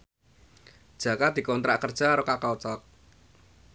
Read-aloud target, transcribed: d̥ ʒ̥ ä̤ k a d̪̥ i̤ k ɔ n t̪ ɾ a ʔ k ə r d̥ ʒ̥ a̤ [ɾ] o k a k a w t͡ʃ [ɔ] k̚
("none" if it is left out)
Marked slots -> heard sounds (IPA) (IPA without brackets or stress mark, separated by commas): ɾ, ɔ